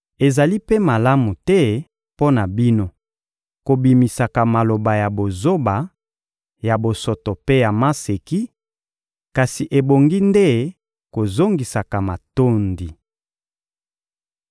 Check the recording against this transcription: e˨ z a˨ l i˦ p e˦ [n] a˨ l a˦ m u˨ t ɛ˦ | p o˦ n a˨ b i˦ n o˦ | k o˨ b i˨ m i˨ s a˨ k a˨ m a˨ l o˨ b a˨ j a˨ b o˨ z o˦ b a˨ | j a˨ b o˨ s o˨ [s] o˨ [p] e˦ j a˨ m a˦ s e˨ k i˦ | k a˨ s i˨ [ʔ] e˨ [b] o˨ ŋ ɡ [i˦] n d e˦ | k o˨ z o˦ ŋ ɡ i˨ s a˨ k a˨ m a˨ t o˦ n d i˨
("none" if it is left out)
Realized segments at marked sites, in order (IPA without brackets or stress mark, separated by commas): m, t, p, ʔ, b, i˦